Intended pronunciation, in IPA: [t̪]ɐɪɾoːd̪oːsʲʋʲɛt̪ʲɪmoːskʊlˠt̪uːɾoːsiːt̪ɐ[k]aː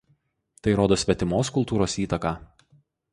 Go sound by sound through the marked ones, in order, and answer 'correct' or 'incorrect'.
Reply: correct, correct

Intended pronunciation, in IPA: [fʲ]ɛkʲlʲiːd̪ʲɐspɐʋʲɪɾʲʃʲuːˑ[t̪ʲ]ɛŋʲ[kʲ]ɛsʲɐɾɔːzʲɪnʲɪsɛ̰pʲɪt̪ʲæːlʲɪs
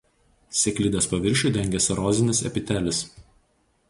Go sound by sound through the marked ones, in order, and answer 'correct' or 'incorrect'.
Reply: incorrect: sʲ, incorrect: d̪ʲ, incorrect: ɡʲ

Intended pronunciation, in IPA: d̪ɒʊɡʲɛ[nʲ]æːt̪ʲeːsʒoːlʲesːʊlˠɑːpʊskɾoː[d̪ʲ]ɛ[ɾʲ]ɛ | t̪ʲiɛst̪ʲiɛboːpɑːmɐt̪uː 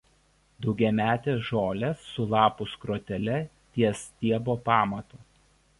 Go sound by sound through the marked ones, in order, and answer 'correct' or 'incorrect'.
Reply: incorrect: mʲ, incorrect: t̪ʲ, incorrect: lʲ

